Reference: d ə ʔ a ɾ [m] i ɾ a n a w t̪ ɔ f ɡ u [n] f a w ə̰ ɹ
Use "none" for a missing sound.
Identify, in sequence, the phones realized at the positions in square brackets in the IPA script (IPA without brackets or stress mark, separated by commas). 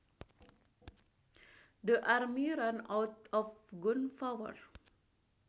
m, n